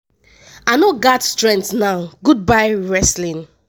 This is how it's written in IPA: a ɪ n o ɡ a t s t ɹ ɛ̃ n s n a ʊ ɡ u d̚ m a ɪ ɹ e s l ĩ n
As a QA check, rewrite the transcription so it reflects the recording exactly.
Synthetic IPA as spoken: a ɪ n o ɡ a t s t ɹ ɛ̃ n t n a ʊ ɡ u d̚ b a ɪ ɹ ɛ s l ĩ n

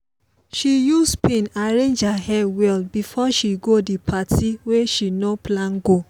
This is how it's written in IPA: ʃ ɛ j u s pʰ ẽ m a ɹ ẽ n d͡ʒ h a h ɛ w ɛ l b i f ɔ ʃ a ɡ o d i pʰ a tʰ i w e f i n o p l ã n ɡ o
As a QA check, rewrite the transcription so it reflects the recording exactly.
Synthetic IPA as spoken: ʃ i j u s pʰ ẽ n a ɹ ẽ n d͡ʒ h a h ɛ w ɛ l b i f ɔ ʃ i ɡ o d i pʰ a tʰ i w e ʃ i n o p l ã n ɡ o

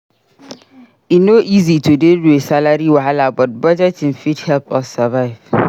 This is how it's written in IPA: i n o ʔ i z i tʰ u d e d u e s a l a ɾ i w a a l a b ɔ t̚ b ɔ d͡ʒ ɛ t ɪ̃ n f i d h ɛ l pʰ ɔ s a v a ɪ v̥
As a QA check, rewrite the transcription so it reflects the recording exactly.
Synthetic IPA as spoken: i n o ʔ i z i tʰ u d e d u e s a l a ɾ i w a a l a b ɔ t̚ b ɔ d͡ʒ ɛ t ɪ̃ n f i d h ɛ l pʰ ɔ s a v a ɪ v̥

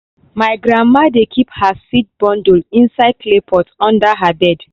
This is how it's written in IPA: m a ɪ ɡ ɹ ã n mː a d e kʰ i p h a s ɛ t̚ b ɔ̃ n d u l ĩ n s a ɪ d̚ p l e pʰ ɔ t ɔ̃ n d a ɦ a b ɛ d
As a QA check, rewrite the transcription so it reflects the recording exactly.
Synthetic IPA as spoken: m a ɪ ɡ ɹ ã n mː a d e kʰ i p h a s i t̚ b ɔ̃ n d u l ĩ n s a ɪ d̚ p l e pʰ ɔ t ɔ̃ n d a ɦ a b ɛ d

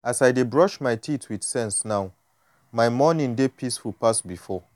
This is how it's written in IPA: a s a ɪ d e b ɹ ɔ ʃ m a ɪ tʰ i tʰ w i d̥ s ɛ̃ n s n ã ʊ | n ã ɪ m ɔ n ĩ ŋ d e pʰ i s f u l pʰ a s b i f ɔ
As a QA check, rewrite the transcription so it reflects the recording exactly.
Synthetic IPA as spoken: a s a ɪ d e b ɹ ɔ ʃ m a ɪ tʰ i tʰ w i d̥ s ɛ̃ n s n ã ʊ | m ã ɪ m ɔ n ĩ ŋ d e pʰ i s f u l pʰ a s b i f ɔ

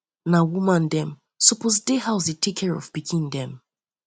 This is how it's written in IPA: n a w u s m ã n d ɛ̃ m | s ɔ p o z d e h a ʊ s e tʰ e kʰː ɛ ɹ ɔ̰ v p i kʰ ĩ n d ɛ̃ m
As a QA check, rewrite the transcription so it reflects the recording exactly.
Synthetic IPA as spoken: n a w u m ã n d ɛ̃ m | s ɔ p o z d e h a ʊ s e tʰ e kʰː ɛ ɹ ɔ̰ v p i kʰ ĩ n d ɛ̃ m

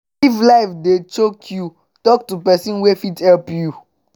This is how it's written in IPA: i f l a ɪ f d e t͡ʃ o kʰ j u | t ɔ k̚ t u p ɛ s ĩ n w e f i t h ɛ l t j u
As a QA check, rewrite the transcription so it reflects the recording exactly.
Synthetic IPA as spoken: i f l a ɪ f d e t͡ʃ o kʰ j u | t ɔ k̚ t u p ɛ s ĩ n w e f i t h ɛ l p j u

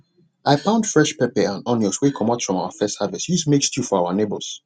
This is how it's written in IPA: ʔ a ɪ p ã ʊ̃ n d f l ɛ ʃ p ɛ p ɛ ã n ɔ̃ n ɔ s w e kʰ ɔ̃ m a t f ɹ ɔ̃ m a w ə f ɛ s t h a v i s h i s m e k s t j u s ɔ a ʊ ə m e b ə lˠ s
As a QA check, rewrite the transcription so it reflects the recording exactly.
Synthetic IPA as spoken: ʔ a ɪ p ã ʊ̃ n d f ɹ ɛ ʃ p ɛ p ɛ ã n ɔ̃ n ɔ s w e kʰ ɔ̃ m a t f ɹ ɔ̃ m a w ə f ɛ s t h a v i s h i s m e k s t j u f ɔ a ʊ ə n e b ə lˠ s

